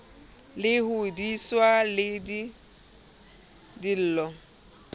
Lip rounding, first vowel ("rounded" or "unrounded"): unrounded